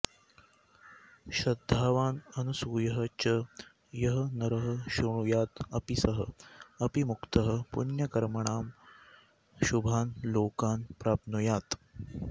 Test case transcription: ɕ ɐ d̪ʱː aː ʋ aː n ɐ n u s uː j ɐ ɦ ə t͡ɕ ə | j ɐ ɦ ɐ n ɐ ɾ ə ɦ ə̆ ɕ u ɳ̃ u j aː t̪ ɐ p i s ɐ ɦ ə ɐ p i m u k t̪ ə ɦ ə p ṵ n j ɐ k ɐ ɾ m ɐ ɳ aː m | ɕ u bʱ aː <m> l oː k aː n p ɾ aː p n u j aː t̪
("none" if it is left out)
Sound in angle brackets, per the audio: n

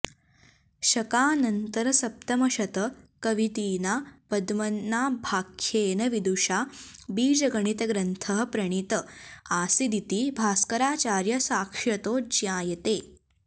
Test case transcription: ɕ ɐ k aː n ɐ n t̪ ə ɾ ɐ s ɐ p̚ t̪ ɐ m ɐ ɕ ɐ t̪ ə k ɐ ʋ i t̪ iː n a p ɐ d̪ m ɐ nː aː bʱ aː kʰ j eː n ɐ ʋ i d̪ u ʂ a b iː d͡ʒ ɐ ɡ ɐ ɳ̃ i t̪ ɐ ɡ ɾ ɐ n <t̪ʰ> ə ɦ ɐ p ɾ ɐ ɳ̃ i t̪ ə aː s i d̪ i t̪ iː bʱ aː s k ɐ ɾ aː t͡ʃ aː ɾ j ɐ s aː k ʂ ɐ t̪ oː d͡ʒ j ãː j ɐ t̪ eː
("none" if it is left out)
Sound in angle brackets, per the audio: t̪ʰ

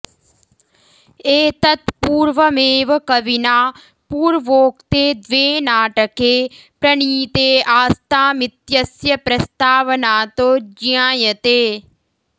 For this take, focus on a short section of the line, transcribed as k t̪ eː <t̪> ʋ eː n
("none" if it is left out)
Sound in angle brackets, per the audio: d̪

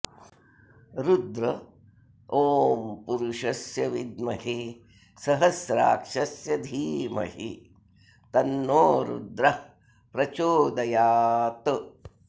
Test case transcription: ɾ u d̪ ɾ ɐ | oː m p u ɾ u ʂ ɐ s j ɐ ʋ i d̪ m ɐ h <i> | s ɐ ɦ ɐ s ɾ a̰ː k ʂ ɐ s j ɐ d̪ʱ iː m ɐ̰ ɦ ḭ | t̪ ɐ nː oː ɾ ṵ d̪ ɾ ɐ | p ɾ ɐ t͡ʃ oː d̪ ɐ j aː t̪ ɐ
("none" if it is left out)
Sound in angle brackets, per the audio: i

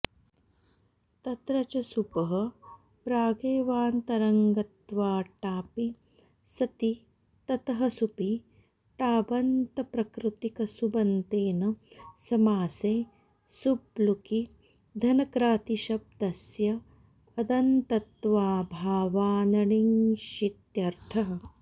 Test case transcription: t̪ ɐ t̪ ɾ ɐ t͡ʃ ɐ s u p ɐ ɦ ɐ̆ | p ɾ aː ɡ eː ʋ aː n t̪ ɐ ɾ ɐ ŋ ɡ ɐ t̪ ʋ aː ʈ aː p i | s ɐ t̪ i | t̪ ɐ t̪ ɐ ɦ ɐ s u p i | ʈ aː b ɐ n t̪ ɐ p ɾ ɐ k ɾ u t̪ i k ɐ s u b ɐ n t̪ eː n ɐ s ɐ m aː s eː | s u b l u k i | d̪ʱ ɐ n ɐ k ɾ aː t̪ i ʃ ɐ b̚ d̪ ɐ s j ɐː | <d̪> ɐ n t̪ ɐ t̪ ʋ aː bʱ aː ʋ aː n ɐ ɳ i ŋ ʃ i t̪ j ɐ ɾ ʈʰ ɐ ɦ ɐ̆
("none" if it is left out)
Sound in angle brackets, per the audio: d̪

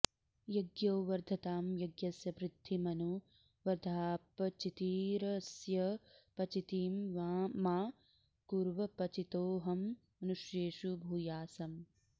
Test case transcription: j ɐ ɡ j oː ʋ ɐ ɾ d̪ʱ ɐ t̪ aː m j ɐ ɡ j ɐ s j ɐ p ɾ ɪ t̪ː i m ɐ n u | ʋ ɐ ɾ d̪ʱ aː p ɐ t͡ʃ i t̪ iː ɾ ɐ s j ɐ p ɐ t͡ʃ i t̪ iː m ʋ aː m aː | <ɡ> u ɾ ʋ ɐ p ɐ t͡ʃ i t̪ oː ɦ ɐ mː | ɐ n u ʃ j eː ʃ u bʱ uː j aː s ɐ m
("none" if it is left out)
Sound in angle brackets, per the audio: k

